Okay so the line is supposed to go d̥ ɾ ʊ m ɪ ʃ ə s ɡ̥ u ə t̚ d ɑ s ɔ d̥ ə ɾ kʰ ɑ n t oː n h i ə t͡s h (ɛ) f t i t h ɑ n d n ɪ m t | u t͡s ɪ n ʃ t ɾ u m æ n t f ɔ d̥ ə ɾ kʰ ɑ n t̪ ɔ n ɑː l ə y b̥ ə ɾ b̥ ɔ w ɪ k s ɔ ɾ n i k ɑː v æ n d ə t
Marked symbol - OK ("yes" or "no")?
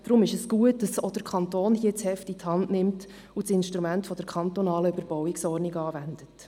yes